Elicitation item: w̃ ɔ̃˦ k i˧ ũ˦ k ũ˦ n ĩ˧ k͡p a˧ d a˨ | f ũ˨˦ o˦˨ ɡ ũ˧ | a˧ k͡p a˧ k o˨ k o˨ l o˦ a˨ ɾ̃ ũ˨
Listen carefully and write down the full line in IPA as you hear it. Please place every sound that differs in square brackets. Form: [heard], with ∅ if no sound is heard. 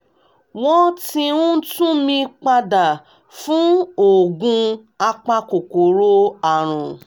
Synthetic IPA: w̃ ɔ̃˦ [t] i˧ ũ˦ [t] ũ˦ [m] ĩ˧ k͡p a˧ d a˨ | f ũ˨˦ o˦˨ ɡ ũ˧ | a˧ k͡p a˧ k o˨ k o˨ [ɾ] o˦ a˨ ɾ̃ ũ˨